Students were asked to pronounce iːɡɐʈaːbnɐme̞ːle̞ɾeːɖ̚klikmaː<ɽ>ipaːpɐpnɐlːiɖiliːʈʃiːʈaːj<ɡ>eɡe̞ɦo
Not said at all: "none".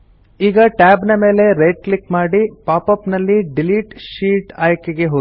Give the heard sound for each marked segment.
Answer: ɽ, k

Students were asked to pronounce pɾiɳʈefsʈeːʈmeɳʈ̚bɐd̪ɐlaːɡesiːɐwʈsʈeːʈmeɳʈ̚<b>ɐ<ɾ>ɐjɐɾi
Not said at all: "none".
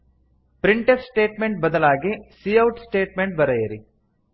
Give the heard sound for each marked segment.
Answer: b, ɾ

